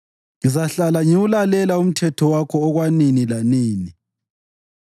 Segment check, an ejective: absent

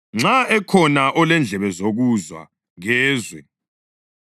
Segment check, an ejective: absent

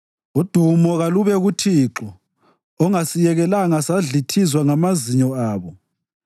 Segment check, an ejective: absent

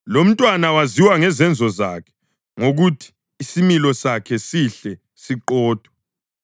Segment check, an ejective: present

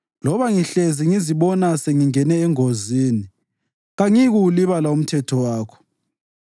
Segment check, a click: absent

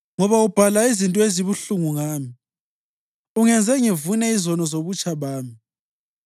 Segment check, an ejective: present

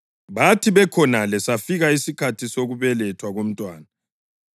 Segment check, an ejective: present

